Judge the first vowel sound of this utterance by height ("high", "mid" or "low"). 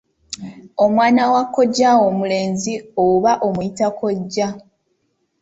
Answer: mid